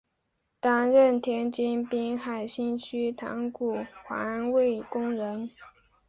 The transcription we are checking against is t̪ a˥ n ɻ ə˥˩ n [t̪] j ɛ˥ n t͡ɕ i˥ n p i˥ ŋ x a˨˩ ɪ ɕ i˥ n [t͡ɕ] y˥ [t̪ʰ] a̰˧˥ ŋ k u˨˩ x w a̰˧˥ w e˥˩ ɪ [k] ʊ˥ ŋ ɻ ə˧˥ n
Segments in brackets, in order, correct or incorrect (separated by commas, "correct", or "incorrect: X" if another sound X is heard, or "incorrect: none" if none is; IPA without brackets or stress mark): incorrect: t̪ʰ, incorrect: t͡ɕʰ, correct, correct